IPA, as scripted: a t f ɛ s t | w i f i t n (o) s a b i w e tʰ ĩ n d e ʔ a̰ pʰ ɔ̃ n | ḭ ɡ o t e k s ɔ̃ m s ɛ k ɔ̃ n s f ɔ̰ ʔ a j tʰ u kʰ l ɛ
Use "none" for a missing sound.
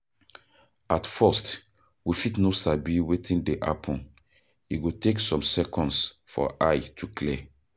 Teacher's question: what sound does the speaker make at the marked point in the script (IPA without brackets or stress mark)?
o